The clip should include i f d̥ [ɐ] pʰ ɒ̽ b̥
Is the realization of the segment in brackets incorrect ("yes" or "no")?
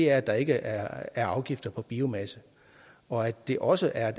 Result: no